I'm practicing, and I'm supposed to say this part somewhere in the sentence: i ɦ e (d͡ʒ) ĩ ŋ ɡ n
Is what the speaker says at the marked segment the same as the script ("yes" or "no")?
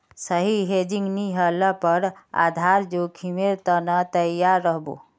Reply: yes